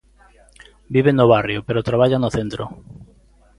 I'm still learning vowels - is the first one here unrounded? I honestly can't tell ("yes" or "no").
yes